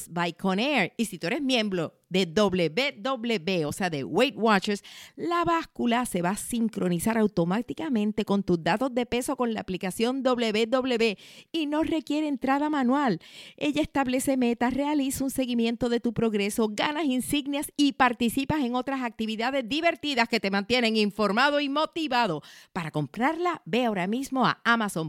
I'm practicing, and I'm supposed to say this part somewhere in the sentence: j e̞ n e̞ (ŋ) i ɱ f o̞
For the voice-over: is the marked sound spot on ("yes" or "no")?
yes